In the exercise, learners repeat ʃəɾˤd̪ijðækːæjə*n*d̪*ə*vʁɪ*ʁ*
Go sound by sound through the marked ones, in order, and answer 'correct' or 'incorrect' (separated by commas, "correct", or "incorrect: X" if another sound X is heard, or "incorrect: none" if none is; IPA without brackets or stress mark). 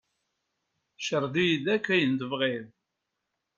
correct, correct, incorrect: ð